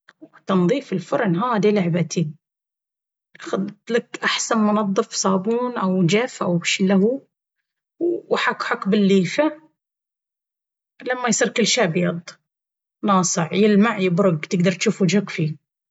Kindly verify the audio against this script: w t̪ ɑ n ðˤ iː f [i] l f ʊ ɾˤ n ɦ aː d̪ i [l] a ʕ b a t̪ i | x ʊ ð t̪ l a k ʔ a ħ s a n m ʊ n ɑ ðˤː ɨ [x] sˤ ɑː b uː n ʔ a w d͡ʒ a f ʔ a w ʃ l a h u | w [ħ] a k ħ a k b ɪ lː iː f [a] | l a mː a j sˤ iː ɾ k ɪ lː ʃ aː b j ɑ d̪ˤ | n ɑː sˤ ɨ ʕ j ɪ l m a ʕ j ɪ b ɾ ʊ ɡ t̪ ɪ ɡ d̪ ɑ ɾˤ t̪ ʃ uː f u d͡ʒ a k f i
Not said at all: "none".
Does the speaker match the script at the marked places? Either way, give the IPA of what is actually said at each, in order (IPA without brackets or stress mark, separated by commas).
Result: ɪ, l, f, ħ, a